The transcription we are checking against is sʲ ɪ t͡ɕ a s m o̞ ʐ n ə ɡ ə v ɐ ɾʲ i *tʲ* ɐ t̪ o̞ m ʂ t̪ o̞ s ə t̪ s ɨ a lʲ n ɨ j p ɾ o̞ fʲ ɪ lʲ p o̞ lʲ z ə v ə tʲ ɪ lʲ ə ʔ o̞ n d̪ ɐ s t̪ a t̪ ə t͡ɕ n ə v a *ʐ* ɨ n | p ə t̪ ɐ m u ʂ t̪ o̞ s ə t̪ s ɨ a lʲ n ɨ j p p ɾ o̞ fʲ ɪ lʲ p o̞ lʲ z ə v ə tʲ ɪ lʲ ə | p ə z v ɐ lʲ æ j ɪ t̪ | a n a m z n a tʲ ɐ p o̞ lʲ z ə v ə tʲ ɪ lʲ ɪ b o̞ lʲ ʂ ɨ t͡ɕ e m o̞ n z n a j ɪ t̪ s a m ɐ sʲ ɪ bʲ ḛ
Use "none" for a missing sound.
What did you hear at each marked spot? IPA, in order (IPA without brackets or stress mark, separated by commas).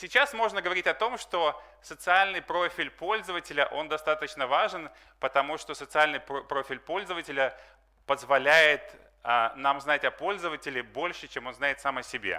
tʲ, ʐ